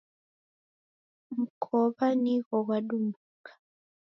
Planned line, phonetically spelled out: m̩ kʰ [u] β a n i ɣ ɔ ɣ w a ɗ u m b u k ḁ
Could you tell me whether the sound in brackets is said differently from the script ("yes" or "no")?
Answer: yes